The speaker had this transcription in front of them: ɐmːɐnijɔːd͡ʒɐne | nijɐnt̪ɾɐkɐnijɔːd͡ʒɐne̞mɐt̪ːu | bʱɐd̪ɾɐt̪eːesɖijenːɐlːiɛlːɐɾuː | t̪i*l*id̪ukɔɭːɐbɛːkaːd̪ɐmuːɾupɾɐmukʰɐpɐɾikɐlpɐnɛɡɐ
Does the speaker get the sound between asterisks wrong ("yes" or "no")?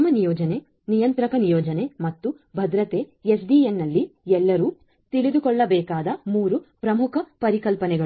yes